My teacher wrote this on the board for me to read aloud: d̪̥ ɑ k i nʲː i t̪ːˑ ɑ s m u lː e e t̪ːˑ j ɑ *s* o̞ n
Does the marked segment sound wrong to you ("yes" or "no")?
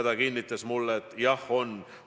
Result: yes